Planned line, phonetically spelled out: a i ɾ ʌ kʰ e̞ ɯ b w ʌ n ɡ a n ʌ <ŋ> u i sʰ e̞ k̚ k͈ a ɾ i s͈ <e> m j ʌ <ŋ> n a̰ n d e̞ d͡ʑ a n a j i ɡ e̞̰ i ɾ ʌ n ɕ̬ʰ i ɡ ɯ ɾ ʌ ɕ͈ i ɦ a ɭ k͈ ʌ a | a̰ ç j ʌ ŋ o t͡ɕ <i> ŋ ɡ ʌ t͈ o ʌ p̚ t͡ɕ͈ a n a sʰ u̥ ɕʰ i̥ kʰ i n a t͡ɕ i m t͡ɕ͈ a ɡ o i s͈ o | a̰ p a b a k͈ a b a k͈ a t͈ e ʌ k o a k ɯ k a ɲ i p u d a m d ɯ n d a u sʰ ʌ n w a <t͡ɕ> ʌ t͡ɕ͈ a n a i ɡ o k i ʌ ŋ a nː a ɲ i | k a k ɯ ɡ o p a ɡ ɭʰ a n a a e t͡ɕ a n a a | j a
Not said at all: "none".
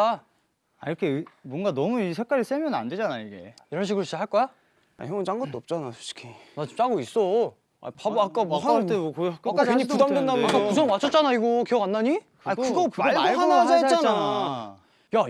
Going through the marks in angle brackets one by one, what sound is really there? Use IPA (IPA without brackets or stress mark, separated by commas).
m, e, n, a, t͡ɕʰ